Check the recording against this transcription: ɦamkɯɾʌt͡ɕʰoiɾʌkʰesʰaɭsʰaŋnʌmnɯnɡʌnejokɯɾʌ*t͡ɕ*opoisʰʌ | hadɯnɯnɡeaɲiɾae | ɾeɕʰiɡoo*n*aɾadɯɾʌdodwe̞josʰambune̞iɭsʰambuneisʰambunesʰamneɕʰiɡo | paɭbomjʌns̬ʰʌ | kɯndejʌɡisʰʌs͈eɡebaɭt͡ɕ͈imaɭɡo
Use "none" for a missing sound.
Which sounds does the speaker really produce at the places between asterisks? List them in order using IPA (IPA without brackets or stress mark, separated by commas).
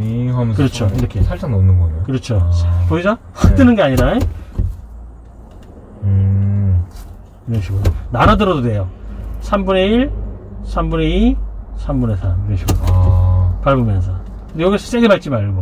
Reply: t͡ɕʰ, n